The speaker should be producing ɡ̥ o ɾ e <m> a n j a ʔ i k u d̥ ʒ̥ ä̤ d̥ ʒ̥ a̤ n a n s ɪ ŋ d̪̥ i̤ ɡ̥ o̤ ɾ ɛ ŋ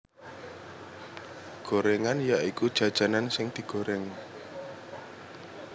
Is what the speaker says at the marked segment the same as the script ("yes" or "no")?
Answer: no